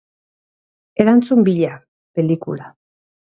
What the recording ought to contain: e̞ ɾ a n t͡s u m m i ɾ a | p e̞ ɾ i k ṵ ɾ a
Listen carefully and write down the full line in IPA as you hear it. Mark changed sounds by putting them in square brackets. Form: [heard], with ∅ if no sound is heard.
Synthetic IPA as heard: e̞ ɾ a n t͡s u m [b] i [ʎ] a | p e̞ [l] i k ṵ [l] a